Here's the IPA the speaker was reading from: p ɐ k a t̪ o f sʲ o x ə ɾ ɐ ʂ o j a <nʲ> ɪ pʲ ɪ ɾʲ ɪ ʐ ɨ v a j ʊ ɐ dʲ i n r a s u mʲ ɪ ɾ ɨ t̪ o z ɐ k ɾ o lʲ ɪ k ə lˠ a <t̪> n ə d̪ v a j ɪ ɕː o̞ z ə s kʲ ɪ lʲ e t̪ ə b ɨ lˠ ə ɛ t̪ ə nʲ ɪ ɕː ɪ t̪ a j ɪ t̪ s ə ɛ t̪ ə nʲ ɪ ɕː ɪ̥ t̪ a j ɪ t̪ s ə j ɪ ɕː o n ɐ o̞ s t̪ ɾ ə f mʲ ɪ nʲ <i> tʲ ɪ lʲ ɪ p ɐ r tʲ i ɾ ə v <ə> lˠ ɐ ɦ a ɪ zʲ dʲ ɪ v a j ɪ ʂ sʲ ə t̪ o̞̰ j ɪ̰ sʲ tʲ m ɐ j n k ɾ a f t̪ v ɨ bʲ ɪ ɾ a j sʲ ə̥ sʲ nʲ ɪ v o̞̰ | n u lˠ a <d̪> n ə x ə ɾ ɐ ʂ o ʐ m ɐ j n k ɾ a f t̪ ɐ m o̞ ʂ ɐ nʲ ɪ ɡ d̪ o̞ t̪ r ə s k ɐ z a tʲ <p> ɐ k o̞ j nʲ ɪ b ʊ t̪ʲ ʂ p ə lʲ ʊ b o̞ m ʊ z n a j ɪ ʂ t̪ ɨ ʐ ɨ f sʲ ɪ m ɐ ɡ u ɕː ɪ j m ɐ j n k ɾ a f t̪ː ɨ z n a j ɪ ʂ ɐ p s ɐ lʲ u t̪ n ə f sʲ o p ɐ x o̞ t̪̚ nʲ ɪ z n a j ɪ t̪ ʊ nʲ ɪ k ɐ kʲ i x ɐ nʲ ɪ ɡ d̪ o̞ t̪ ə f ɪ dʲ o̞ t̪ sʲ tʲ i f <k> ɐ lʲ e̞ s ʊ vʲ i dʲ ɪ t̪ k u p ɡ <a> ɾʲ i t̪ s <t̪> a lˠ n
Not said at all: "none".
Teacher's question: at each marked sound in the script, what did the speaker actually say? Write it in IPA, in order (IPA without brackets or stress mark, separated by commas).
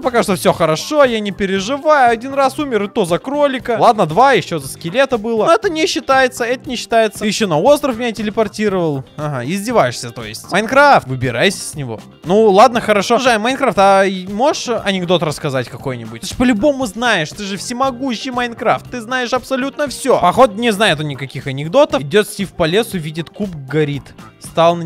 nʲ, d̪, a, ə, d̪, k, p, ɐ, t̪